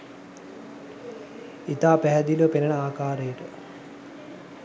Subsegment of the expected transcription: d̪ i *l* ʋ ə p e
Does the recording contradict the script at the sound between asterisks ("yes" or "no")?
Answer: no